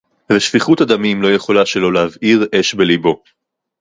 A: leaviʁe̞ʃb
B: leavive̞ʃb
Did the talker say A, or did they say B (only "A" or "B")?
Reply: A